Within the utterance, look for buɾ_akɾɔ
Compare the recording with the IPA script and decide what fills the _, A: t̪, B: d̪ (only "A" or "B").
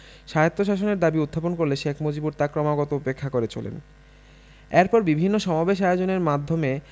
A